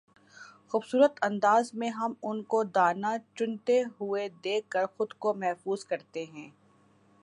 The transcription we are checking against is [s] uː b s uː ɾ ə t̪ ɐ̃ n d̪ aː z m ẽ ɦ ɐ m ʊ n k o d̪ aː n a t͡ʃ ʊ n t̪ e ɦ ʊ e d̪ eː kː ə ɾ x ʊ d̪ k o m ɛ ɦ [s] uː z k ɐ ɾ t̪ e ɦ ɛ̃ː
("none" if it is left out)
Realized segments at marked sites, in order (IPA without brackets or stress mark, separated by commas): x, f